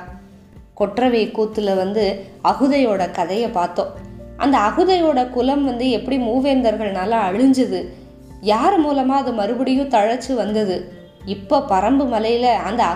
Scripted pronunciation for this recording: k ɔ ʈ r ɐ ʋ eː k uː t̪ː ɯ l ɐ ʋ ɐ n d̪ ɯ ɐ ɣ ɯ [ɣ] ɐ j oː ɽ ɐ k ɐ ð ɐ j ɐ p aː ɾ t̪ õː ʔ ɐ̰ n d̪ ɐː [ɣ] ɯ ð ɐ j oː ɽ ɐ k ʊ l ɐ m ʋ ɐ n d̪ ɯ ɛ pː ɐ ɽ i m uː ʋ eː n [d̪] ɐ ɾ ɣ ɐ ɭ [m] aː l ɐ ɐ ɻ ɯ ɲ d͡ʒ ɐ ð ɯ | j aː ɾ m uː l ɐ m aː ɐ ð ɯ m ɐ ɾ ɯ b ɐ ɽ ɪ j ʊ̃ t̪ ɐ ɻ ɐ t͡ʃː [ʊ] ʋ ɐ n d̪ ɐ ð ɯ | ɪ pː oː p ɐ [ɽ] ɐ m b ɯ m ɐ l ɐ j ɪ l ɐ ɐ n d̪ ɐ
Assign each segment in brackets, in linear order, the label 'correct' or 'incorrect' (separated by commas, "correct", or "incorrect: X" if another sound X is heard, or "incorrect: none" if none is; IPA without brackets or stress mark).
incorrect: ð, correct, correct, incorrect: n, incorrect: ɯ, incorrect: ɾ